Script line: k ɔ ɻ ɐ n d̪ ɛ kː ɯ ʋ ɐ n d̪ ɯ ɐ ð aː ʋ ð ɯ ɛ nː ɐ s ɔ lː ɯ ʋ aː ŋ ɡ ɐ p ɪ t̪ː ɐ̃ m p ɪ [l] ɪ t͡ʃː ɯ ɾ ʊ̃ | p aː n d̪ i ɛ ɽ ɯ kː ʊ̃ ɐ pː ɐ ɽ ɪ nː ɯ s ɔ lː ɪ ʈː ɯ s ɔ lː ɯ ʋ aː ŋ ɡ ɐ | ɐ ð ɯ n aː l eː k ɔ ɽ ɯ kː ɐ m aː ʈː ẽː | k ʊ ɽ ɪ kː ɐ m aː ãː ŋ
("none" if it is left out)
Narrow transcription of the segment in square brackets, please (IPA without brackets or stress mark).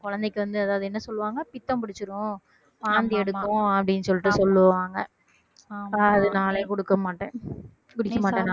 ɽ